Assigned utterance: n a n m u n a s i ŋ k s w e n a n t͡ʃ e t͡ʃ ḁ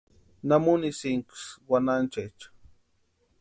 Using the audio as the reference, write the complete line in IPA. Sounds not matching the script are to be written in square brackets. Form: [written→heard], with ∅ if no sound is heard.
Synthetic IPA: n a [n→∅] m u n [a→i] s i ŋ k s w [e→a] n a n t͡ʃ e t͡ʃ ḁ

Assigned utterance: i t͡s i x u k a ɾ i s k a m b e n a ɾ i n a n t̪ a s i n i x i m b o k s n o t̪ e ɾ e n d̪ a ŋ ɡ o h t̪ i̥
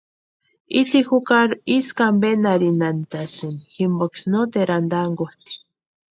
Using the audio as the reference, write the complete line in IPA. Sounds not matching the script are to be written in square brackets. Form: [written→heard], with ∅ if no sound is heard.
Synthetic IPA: i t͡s i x u k a ɾ i s k a m b e n a ɾ i n a n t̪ a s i n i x i m b o k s n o t̪ e ɾ [e→a] n d̪ a ŋ ɡ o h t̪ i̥

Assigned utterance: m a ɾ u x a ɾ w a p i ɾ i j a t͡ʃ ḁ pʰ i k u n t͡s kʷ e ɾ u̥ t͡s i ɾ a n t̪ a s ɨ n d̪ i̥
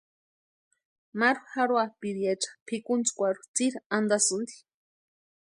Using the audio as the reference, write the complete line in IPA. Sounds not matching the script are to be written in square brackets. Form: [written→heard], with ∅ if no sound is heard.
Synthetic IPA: m a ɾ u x a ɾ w a p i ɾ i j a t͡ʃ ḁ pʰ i k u n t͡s kʷ [e→a] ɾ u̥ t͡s i ɾ a n [t̪→d̪] a s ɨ n d̪ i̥

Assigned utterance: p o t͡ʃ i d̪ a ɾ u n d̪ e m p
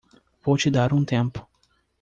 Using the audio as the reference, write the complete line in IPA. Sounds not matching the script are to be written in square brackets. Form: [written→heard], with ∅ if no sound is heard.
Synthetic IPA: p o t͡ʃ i d̪ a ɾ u n [d̪→t̪] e m p

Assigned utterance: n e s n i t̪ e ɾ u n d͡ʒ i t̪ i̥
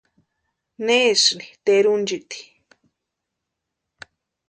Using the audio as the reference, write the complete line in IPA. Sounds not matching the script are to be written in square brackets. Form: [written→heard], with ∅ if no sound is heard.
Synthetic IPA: n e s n i t̪ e ɾ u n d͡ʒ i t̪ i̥

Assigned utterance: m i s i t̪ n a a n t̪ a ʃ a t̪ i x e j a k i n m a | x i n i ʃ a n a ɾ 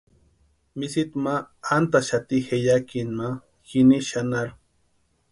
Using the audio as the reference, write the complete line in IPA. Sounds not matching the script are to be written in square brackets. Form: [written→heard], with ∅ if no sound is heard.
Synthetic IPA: m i s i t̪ [n→m] a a n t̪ a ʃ a t̪ i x e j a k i n m a | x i n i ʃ a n a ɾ

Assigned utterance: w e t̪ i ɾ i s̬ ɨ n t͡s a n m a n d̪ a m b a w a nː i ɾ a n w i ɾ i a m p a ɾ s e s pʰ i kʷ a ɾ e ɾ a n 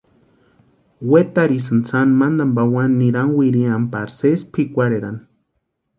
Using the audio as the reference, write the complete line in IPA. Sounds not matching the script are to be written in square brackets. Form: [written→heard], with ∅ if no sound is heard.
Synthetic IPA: w e t̪ [i→a] ɾ i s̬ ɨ n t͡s a n m a n d̪ a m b a w a nː i ɾ a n w i ɾ i a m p a ɾ s e s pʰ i kʷ a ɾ e ɾ a n

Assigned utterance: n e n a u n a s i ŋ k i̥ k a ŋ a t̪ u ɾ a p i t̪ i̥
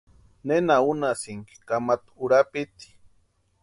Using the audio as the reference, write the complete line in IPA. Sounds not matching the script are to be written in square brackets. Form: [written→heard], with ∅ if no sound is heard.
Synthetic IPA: n e n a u n a s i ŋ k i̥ k a [ŋ→m] a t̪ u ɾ a p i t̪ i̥

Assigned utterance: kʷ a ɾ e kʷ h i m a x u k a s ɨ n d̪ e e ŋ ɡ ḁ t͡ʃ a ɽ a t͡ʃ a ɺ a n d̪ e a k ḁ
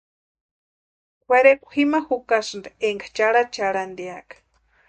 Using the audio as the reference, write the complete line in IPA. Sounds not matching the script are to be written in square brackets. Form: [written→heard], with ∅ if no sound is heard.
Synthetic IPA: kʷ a ɾ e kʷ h i m a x u k a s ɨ n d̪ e e ŋ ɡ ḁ t͡ʃ a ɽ a t͡ʃ a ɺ a n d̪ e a k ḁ

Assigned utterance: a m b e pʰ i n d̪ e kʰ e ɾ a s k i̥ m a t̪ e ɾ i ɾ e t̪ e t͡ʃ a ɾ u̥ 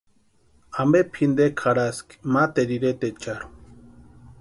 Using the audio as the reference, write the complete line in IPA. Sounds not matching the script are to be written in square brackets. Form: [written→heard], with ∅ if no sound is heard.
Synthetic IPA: a m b e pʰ i n d̪ e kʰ [e→a] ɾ a s k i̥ m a t̪ e ɾ i ɾ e t̪ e t͡ʃ a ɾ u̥

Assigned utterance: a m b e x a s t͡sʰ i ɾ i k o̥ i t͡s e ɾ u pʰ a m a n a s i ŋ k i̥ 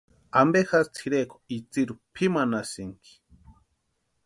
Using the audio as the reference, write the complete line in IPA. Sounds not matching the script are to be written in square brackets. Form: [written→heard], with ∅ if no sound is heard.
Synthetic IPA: a m b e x a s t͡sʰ i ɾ [i→e] k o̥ i t͡s [e→i] ɾ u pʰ [a→i] m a n a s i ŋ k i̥

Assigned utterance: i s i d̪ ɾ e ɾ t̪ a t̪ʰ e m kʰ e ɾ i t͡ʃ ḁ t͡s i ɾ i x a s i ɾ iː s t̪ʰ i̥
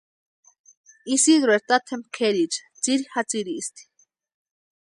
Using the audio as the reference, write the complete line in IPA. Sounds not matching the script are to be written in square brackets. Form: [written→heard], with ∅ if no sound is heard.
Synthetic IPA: i s i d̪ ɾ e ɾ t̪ a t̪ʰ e m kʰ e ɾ i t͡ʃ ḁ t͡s i ɾ i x a [s→t͡s] i ɾ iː s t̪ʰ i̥

